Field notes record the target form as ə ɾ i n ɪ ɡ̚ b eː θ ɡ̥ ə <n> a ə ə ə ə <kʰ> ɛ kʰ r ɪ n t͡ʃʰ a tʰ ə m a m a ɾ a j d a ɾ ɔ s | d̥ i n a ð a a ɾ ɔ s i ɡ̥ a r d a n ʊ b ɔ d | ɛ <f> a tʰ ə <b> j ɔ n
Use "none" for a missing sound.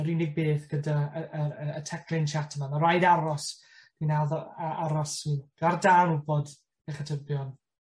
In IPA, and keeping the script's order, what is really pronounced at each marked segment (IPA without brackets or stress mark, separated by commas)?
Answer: d, tʰ, χ, b